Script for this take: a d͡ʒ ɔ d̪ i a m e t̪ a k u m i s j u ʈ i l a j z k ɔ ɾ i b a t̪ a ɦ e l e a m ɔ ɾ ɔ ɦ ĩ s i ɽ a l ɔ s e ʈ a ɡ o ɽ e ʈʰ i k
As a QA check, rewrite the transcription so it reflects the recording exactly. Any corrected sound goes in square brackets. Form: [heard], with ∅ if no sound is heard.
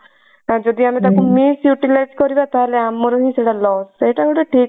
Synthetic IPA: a d͡ʒ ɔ d̪ i a m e t̪ a k u m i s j u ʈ i l a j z k ɔ ɾ i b a t̪ a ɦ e l e a m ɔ ɾ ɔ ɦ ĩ s [e] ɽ a l ɔ s e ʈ a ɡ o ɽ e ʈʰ i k